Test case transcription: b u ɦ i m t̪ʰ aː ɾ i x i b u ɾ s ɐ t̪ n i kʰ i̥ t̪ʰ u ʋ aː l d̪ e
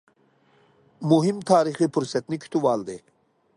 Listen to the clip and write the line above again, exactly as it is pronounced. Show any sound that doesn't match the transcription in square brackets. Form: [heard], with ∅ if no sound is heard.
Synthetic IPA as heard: [m] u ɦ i m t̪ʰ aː ɾ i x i [p] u ɾ s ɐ t̪ n i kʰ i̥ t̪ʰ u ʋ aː l d̪ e